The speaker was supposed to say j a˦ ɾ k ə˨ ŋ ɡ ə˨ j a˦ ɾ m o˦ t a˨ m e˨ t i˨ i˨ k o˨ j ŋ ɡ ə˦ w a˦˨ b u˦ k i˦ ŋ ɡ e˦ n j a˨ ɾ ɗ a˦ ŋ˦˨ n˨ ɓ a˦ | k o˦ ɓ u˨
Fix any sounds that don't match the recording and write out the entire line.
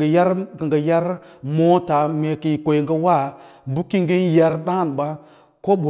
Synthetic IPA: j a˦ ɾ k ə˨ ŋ ɡ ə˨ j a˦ ɾ m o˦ t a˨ m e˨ k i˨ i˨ k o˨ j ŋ ɡ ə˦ w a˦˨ b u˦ k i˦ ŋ ɡ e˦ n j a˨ ɾ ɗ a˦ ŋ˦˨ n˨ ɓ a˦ | k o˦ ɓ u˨